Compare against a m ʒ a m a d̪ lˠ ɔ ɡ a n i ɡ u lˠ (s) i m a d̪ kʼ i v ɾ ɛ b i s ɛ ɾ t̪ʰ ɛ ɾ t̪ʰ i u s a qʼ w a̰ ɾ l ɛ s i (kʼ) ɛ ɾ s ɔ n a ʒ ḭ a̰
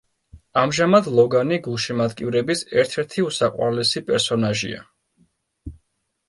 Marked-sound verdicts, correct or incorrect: incorrect, incorrect

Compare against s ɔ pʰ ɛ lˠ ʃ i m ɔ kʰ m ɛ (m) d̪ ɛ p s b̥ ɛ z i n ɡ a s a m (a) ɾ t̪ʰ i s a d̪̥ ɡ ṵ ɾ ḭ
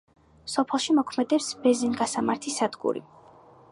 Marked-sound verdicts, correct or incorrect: incorrect, correct

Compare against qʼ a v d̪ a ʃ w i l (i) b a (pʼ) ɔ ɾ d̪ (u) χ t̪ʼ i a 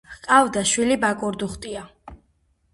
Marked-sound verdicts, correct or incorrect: correct, incorrect, correct

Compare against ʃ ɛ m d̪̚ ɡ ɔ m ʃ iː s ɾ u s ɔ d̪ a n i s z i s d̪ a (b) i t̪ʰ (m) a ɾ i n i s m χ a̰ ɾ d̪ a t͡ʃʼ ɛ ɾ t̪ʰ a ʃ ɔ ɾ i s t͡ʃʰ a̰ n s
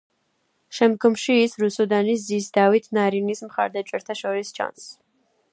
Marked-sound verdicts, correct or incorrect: incorrect, incorrect

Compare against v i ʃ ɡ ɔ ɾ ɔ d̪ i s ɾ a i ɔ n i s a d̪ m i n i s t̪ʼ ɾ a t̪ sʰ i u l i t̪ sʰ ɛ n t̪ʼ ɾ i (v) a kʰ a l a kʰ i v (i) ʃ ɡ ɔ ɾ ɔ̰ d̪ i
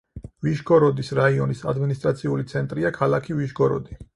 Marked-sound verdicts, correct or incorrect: incorrect, correct

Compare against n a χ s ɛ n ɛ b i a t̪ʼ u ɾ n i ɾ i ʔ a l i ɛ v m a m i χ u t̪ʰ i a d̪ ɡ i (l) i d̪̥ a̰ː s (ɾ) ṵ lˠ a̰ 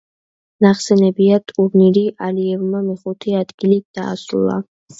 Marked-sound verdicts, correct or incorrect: correct, correct

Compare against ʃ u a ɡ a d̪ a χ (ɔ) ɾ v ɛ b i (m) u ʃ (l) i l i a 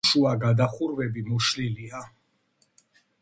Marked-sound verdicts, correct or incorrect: incorrect, correct, correct

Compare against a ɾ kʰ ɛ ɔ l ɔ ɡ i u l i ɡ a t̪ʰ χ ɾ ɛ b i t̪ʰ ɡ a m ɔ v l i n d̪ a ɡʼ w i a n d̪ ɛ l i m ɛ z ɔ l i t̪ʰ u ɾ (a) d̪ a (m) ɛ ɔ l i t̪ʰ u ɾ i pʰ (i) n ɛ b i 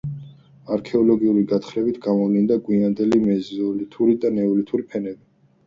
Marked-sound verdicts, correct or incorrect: incorrect, incorrect, incorrect

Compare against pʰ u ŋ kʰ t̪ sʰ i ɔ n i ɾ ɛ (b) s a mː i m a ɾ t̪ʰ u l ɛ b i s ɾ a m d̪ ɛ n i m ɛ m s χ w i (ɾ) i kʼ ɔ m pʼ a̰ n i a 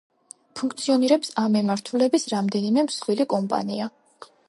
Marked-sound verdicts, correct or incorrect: incorrect, incorrect

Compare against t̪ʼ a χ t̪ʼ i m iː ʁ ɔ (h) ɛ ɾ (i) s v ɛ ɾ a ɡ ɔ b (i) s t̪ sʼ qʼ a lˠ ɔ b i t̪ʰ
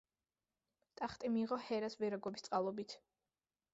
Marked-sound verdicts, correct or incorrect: correct, incorrect, correct

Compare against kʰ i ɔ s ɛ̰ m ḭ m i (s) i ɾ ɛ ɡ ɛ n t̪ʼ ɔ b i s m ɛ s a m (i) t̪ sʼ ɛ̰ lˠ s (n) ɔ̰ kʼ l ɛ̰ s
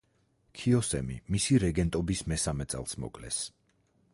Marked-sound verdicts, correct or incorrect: correct, incorrect, incorrect

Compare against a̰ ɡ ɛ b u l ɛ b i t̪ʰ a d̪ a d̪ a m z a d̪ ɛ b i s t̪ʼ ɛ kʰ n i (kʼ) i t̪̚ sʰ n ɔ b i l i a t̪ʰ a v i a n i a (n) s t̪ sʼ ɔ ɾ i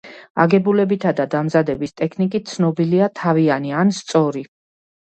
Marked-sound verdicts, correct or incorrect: correct, correct

